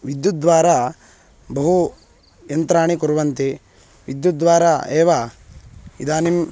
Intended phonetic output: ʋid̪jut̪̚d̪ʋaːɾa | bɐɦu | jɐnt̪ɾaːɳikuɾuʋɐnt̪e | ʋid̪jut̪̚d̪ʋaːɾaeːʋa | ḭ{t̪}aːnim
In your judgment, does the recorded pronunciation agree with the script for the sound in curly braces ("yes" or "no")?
no